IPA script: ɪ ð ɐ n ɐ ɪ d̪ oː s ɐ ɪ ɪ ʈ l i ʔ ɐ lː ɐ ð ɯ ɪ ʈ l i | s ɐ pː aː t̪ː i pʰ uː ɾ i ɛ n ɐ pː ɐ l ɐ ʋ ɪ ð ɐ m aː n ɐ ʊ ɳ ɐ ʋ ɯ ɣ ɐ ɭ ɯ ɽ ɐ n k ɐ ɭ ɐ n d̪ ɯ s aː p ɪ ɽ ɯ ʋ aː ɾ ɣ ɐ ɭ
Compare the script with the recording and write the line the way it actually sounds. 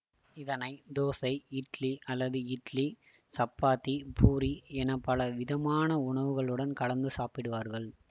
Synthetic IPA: ɪ ð ɐ n ɐ ɪ d̪ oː s ɐ ɪ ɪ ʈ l i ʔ ɐ lː ɐ ð ɯ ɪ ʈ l i | s ɐ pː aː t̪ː i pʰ uː ɾ i ɛ n ɐ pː ɐ l ɐ ʋ ɪ ð ɐ m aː n ɐ ʊ ɳ ɐ ʋ ɯ ɣ ɐ ɭ ɯ ɽ ɐ n k ɐ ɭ ɐ n d̪ ɯ s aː p ɪ ɽ ɯ ʋ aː ɾ ɣ ɐ ɭ